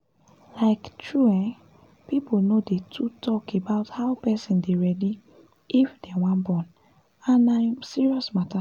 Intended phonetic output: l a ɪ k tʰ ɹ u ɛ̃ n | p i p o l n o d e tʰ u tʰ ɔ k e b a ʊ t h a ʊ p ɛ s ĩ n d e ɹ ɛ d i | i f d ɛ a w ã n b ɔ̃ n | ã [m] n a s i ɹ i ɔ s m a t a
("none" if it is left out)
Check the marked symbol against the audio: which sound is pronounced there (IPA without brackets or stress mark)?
none